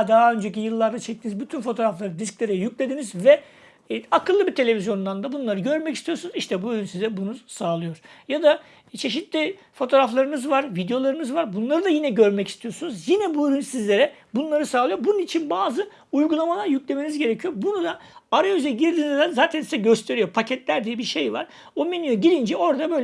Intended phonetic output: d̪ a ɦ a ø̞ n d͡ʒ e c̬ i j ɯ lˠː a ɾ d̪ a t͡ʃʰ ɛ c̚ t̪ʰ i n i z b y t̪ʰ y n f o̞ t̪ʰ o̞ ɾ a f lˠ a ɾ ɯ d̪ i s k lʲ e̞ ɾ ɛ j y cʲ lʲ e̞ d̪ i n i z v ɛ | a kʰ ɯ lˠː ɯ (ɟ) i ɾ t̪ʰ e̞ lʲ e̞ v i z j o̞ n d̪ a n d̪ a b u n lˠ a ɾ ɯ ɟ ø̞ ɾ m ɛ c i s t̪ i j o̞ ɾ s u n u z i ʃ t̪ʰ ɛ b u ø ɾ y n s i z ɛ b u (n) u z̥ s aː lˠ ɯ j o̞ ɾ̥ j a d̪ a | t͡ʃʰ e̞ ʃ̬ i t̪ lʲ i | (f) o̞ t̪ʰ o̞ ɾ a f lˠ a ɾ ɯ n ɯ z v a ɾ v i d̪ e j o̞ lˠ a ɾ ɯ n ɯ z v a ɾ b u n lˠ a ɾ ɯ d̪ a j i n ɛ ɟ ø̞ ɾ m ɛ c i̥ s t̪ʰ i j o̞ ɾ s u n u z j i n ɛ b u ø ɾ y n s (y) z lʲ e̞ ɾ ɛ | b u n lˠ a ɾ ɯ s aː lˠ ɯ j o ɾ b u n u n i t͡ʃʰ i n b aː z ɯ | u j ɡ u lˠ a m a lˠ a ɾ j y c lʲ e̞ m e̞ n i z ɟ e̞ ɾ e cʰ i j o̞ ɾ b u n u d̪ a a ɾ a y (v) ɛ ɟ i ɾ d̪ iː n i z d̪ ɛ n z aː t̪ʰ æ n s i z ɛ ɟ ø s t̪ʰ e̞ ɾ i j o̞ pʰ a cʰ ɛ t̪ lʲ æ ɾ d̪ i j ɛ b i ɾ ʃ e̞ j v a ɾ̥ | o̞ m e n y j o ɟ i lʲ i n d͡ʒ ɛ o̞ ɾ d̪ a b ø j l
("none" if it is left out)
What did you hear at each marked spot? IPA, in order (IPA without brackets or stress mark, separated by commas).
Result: b, n, f, i, z